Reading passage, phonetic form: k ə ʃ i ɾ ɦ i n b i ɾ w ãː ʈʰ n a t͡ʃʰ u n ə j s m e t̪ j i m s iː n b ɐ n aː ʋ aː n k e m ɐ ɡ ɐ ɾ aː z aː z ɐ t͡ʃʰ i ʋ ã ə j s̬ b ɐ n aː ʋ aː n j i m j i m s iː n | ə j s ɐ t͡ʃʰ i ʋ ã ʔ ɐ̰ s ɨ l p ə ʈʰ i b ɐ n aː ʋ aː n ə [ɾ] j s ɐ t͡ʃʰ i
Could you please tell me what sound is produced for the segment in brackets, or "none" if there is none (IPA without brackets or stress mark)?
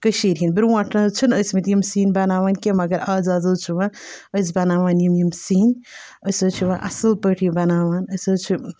none